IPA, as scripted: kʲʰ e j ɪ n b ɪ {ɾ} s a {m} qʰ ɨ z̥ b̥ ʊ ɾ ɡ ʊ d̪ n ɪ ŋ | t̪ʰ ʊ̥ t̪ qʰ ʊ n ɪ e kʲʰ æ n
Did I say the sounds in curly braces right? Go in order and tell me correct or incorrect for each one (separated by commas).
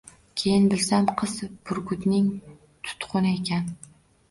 incorrect, correct